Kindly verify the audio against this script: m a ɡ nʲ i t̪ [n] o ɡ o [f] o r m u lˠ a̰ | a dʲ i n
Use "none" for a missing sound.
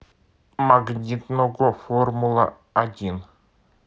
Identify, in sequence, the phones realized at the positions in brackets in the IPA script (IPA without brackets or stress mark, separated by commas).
n, f